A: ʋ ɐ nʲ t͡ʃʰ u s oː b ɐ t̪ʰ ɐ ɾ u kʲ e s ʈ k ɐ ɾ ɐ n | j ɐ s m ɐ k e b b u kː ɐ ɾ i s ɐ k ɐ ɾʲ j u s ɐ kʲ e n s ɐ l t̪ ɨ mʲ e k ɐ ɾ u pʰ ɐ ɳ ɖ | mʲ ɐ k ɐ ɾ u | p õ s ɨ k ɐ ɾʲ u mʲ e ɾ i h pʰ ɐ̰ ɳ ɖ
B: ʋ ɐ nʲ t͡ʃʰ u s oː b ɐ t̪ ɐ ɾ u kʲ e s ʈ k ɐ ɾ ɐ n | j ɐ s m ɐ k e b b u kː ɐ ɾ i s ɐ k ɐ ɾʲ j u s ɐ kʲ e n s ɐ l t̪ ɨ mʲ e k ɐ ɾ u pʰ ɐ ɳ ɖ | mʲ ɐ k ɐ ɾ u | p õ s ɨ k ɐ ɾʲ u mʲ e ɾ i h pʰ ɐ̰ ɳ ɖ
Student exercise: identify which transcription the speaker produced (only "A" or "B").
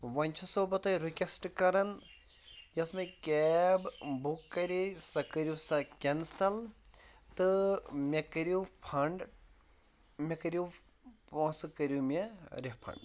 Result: B